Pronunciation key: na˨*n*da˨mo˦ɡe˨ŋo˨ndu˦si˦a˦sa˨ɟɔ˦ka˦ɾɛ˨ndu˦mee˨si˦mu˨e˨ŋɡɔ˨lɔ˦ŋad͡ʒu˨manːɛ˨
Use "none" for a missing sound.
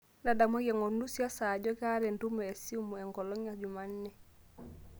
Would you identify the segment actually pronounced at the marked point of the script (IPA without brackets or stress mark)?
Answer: none